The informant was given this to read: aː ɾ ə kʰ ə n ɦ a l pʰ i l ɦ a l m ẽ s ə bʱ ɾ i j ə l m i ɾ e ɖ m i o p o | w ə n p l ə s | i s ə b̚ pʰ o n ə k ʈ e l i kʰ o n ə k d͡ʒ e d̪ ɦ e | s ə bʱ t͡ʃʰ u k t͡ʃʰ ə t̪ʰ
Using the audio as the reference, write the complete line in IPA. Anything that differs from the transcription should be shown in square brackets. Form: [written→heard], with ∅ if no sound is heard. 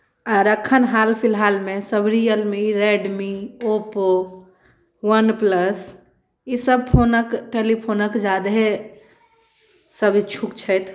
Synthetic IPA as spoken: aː ɾ ə kʰ ə n ɦ a l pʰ i l ɦ a l m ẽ s ə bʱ ɾ i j ə l m i ɾ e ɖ m i o p o | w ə n p l ə s | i s ə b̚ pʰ o n ə k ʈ e l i [kʰ→pʰ] o n ə k d͡ʒ [e→a] d̪ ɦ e | s ə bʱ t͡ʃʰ u k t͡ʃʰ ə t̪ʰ